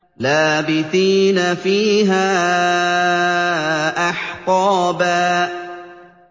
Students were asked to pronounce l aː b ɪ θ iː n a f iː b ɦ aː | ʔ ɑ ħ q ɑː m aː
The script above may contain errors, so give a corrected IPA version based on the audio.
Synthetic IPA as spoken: l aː b ɪ θ iː n a f iː ɦ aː | ʔ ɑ ħ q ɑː b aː